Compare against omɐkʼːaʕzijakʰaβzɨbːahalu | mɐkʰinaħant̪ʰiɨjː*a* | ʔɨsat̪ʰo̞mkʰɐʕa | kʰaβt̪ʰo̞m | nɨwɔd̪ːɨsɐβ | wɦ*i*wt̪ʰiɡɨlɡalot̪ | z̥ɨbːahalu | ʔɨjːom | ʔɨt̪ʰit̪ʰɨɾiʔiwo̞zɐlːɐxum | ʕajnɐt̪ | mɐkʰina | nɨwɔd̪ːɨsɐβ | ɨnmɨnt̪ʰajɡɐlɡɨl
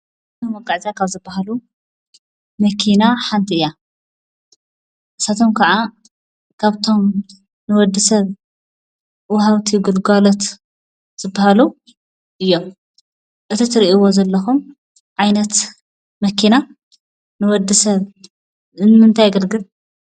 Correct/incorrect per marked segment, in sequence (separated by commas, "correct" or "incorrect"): correct, incorrect